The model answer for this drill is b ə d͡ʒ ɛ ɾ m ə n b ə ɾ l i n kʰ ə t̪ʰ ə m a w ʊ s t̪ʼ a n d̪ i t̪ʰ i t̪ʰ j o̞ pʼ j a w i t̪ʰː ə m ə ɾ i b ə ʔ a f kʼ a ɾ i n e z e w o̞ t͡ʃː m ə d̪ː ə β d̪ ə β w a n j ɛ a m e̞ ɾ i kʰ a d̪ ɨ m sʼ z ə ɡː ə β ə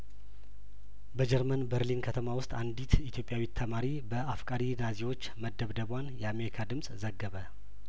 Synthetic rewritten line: b ə d͡ʒ ɛ ɾ m ə n b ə ɾ l i n kʰ ə t̪ʰ ə m a w ʊ s t̪ʼ a n d̪ i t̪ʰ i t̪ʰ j o̞ pʼ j a w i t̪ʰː ə m a ɾ i b ə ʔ a f kʼ a ɾ i n a z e w o̞ t͡ʃː m ə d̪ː ə β d̪ ə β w a n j ɛ a m e̞ ɾ i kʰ a d̪ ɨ m sʼ z ə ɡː ə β ə

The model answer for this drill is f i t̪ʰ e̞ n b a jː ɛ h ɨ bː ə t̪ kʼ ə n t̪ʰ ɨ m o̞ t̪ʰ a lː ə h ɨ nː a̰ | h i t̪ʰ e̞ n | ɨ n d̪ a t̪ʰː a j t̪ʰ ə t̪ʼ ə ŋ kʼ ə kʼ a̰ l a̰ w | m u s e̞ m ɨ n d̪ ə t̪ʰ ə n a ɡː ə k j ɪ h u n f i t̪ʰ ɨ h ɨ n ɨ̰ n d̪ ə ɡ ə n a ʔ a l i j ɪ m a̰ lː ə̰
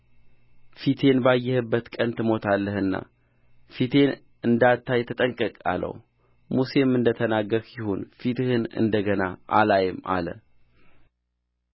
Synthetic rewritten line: f i t̪ʰ e̞ n b a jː ɛ h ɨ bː ə t̪ kʼ ə n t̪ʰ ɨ m o̞ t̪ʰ a lː ə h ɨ nː a̰ | f i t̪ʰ e̞ n | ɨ n d̪ a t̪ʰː a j t̪ʰ ə t̪ʼ ə ŋ kʼ ə kʼ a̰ l ə̰ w | m u s e̞ m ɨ n d̪ ə t̪ʰ ə n a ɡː ə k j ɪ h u n f i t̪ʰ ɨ h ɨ n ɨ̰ n d̪ ə ɡ ə n a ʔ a l a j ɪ m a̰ l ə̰

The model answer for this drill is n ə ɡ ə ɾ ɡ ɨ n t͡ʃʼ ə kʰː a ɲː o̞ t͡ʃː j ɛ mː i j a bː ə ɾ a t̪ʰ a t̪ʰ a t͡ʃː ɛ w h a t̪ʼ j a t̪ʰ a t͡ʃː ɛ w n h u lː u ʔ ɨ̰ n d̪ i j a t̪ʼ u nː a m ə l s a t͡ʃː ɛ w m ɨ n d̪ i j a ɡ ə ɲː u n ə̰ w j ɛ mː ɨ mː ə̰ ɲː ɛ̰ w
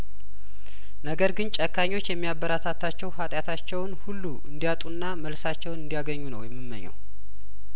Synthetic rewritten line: n ə ɡ ə ɾ ɡ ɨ n t͡ʃʼ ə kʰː a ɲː o̞ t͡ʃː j ɛ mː i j a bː ə ɾ a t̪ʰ a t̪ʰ a t͡ʃː ɛ w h a t̪ʼ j a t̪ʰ a t͡ʃː ɛ w n h u lː u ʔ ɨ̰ n d̪ i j a t̪ʼ u nː a m ə l s a t͡ʃː ɛ w n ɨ n d̪ i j a ɡ ə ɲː u n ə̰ w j ɛ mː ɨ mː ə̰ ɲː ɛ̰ w

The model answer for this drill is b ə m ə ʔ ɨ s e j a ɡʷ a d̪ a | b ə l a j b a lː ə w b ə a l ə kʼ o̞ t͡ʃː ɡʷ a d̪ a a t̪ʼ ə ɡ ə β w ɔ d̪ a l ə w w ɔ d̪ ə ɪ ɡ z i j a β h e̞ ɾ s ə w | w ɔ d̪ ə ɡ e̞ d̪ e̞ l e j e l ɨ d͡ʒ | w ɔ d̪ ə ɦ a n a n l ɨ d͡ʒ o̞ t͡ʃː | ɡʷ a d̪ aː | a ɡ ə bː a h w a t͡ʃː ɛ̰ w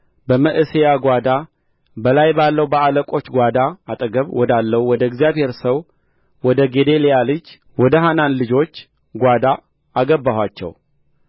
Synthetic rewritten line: b ə m ə ʔ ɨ s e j a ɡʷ a d̪ a | b ə l a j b a lː ə w b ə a l ə kʼ o̞ t͡ʃː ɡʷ a d̪ a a t̪ʼ ə ɡ ə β w ɔ d̪ a lː ə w w ɔ d̪ ə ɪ ɡ z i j a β h e̞ ɾ s ə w | w ɔ d̪ ə ɡ e̞ d̪ e̞ l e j a l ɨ d͡ʒ | w ɔ d̪ ə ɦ a n a n l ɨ d͡ʒ o̞ t͡ʃː | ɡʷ a d̪ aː | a ɡ ə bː a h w a t͡ʃː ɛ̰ w

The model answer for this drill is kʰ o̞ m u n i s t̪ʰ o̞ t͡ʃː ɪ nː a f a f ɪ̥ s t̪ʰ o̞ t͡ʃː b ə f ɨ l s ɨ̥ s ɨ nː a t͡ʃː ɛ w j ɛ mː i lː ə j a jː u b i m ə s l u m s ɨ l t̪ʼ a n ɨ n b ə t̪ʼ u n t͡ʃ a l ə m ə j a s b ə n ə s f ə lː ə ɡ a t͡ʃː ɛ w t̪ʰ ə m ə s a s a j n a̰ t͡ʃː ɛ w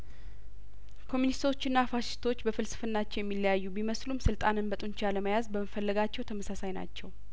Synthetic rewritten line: kʰ o̞ m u n i s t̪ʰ o̞ t͡ʃː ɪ nː a f a ʃ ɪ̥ s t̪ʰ o̞ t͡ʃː b ə f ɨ l s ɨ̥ f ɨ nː a t͡ʃː ɛ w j ɛ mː i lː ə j a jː u b i m ə s l u m s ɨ l t̪ʼ a n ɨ n b ə t̪ʼ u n t͡ʃ a l ə m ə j a z b ə m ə f ə lː ə ɡ a t͡ʃː ɛ w t̪ʰ ə m ə s a s a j n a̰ t͡ʃː ɛ w

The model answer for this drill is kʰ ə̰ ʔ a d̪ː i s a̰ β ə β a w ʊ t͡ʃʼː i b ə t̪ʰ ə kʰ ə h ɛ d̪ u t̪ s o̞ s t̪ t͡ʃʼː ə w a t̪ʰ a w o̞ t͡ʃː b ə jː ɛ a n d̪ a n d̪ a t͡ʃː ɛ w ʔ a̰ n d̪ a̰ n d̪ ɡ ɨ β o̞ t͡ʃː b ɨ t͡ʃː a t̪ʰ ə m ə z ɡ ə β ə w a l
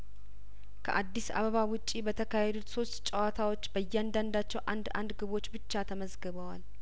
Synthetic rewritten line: kʰ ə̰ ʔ a d̪ː i s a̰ β ə β a w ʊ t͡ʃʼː i b ə t̪ʰ ə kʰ a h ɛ d̪ u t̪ s o̞ s t̪ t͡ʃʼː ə w a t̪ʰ a w o̞ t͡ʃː b ə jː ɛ a n d̪ a n d̪ a t͡ʃː ɛ w ʔ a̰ n d̪ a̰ n d̪ ɡ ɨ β o̞ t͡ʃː b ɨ t͡ʃː a t̪ʰ ə m ə z ɡ ə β ə w a l

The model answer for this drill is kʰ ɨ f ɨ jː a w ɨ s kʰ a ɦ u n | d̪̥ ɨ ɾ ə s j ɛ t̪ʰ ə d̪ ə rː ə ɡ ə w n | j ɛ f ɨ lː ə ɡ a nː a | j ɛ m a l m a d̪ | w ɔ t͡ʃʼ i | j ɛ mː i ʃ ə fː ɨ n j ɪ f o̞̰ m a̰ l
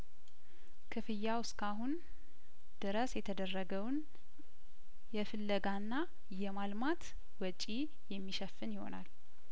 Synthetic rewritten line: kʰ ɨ f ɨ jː a w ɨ s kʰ a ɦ u n | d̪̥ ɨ ɾ ə s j ɛ t̪ʰ ə d̪ ə rː ə ɡ ə w n | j ɛ f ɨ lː ə ɡ a nː a | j ɛ m a l m a t̪ | w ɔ t͡ʃʼ i | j ɛ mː i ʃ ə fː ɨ n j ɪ h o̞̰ n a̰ l

